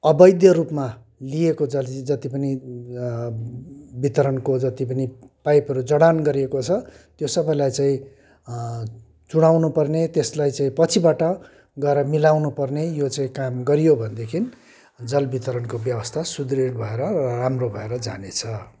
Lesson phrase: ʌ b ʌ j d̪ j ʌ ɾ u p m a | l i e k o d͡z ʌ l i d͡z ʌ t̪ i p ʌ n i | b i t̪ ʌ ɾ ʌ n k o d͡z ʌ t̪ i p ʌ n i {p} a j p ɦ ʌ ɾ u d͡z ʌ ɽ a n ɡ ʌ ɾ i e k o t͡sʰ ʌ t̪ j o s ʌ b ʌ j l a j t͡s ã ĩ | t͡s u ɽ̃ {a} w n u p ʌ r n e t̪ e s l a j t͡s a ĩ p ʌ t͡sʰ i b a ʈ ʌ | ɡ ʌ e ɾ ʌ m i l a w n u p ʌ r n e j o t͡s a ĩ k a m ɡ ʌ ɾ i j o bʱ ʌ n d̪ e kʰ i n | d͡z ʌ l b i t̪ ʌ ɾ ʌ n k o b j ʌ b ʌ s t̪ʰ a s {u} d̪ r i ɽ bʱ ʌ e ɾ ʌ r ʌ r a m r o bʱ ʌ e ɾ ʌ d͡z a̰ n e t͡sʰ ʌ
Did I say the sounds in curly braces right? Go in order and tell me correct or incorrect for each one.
correct, correct, correct

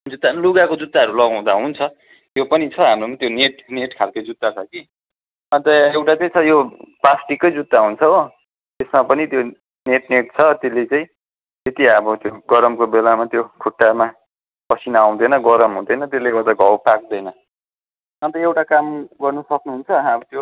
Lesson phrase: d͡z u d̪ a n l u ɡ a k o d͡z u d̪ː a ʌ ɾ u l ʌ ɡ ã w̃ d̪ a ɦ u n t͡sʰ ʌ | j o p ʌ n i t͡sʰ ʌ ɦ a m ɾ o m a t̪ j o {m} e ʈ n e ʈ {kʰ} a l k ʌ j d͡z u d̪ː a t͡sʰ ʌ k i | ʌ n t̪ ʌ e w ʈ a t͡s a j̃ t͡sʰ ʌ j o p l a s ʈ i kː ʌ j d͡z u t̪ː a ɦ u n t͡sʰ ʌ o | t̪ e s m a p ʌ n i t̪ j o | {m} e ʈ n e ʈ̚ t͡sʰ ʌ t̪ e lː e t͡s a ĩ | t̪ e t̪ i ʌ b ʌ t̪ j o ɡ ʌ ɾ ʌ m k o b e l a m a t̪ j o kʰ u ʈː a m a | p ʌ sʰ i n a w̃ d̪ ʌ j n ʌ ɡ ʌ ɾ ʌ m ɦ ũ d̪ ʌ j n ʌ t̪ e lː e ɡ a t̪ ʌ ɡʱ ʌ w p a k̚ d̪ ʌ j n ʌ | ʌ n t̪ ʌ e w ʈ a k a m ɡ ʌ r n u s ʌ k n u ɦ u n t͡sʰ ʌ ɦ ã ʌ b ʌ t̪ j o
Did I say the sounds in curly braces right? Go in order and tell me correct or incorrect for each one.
incorrect, correct, incorrect

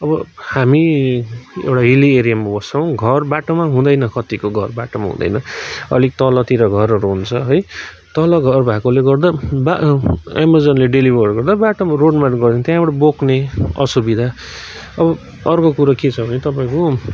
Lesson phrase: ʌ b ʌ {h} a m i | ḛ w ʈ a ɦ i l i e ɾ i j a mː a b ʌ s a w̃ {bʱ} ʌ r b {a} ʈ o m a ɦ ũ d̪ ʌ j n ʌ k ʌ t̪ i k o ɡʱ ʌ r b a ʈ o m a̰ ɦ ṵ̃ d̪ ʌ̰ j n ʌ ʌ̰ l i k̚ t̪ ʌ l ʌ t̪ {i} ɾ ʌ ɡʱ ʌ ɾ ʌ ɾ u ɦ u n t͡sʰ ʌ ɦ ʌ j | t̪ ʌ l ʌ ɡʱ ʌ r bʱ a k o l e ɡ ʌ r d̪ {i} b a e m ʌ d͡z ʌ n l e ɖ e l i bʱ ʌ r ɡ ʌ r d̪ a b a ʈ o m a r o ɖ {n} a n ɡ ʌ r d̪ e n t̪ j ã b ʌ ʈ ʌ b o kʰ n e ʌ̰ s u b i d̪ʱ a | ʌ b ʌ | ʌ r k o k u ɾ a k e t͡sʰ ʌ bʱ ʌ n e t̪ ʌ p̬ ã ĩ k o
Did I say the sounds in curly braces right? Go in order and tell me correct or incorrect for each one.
correct, incorrect, correct, correct, incorrect, incorrect

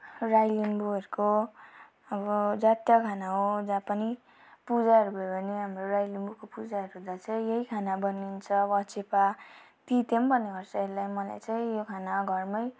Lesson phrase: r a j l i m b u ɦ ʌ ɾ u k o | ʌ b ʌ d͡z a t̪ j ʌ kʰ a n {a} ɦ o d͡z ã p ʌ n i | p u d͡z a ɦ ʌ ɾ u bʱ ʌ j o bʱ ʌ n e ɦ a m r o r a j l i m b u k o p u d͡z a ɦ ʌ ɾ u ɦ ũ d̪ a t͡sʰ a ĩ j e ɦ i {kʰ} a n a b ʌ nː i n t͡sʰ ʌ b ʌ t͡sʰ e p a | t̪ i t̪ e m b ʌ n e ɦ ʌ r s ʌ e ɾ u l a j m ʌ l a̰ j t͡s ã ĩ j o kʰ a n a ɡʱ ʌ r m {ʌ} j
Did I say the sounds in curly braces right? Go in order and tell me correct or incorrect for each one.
correct, correct, correct

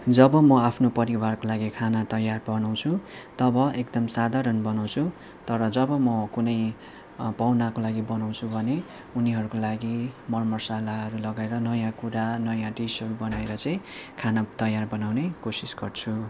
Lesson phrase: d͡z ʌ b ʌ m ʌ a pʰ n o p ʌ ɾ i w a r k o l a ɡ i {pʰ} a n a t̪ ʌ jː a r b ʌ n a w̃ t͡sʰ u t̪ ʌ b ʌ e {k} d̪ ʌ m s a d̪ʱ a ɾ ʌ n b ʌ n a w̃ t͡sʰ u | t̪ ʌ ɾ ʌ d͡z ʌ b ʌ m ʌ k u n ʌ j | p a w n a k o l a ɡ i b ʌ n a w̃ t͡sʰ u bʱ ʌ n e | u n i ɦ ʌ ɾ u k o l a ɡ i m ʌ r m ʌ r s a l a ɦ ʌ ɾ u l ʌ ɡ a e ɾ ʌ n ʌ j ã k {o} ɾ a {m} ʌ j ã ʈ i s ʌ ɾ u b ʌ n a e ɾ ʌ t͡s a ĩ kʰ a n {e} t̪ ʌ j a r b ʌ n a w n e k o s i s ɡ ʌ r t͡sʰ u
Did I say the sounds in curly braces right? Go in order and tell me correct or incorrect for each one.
incorrect, correct, incorrect, incorrect, incorrect

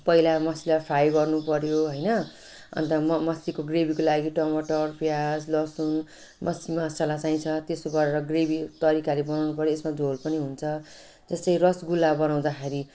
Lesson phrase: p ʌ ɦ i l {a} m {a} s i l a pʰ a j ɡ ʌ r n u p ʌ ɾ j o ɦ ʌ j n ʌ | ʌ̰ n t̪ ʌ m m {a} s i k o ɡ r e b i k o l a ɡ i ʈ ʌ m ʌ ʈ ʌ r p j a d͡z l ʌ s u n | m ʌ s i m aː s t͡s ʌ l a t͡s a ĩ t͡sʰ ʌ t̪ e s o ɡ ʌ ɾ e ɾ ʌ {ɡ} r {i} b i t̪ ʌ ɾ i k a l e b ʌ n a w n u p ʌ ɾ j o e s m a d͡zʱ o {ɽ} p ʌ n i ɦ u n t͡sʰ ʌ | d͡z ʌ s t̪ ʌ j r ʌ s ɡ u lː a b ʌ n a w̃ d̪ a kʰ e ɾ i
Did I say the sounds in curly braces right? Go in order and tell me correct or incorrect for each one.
correct, incorrect, incorrect, correct, incorrect, incorrect

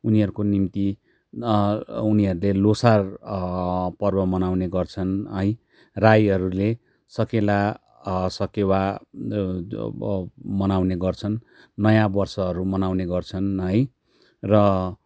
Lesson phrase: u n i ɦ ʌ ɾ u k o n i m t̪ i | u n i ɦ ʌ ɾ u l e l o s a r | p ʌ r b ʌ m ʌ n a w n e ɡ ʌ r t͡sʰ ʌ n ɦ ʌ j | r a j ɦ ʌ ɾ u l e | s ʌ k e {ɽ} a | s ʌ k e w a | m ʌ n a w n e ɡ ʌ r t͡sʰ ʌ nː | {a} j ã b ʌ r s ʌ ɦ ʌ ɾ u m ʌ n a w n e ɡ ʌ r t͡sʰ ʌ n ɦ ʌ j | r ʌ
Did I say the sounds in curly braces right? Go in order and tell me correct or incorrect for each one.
incorrect, incorrect

